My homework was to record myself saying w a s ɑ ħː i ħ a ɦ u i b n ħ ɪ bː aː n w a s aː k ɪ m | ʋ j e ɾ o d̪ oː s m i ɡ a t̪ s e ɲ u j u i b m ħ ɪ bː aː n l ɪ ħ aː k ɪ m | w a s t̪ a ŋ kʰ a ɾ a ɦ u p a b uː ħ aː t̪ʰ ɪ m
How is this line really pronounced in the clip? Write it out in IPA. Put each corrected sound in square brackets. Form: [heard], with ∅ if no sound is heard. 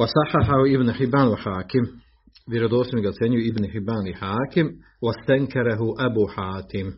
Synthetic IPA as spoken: w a s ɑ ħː [a] ħ a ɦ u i b n ħ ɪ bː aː n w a [ħ] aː k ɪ m | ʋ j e ɾ o d̪ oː s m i ɡ a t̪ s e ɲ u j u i b [n] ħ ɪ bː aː n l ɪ ħ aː k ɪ m | w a s t̪ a ŋ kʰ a ɾ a ɦ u [ʔ] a b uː ħ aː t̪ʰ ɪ m